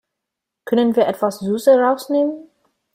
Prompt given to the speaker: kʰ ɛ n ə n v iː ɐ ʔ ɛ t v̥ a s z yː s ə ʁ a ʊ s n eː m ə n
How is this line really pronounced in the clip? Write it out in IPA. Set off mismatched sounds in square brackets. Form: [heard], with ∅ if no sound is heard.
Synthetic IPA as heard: kʰ [œ] n ə n v iː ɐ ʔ ɛ t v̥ a s z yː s ə ʁ a ʊ s n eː m ə n